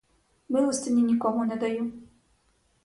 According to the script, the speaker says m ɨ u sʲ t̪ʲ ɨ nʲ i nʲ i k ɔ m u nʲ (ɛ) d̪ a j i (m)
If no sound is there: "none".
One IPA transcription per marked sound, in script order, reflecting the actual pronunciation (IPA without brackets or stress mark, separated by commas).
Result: ɛ, m